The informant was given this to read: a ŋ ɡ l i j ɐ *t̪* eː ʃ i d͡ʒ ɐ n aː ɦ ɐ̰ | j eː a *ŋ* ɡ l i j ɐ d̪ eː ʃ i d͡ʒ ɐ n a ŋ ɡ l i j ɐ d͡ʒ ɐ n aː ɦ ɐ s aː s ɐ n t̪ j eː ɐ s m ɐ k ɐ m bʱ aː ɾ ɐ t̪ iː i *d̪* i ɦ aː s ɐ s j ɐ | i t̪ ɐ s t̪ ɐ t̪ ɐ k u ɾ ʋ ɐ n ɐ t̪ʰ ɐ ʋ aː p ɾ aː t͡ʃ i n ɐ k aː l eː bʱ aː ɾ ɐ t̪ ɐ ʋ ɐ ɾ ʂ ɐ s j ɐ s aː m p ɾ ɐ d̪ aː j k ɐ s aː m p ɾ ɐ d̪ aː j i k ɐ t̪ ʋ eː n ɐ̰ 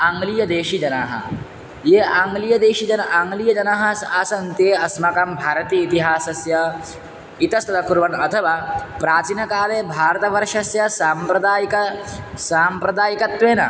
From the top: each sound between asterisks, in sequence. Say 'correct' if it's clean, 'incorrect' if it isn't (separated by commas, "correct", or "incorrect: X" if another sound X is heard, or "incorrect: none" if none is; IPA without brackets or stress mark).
incorrect: d̪, correct, incorrect: t̪